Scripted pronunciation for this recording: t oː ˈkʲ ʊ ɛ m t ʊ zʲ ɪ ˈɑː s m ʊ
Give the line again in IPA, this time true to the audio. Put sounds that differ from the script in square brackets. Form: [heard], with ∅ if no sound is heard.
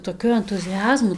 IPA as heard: t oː ˈkʲ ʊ ɛ [n] t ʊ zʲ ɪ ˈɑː [z] m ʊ